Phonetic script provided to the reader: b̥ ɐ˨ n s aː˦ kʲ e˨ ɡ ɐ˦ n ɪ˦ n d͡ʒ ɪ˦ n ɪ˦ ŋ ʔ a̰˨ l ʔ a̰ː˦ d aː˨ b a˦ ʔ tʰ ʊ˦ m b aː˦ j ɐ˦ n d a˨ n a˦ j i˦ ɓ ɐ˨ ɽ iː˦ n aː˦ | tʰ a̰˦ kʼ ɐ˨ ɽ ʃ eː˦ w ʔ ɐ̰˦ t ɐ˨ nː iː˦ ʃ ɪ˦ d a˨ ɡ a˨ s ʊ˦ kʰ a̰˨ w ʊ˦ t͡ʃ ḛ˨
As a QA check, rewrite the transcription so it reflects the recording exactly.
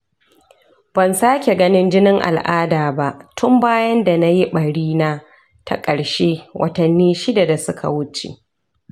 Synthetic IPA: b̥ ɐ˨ n s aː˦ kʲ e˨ ɡ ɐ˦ n ɪ˦ n d͡ʒ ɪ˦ n ɪ˦ ŋ ʔ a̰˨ l ʔ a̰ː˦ d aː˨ b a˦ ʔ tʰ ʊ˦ m b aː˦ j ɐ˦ n d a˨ n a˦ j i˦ ɓ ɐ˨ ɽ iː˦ n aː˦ | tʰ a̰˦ kʼ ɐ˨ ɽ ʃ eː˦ w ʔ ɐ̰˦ t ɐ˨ nː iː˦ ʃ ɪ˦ d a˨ d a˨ s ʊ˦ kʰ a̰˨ w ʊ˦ t͡ʃ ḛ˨